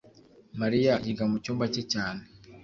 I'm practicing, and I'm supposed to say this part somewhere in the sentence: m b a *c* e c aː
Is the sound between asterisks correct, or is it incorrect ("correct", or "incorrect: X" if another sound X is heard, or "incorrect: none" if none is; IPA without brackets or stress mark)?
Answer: correct